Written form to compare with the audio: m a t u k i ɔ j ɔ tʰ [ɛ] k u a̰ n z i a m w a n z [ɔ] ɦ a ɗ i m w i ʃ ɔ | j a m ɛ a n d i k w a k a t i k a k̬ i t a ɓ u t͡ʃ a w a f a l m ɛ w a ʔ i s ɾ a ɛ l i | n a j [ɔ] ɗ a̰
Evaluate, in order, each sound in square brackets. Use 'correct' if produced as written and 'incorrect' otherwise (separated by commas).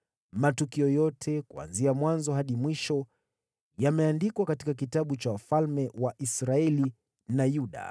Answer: correct, correct, incorrect